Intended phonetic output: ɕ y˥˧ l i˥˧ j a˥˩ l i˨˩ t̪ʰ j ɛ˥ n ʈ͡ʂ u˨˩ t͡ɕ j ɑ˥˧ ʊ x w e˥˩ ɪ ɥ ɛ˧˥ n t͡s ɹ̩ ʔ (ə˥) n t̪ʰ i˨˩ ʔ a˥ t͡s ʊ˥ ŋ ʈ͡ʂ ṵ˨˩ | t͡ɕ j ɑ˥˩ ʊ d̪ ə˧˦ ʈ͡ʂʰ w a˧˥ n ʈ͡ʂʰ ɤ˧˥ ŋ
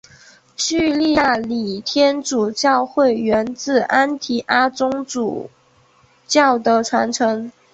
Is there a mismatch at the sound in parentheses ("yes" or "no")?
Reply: yes